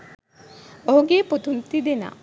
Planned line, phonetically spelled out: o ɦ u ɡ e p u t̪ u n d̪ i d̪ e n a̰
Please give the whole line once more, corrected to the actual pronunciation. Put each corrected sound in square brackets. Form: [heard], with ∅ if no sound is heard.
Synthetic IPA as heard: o ɦ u ɡ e p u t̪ u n [t̪] i d̪ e n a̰